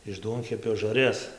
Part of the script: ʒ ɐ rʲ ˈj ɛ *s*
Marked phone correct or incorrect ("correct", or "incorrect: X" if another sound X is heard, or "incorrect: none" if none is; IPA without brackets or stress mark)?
correct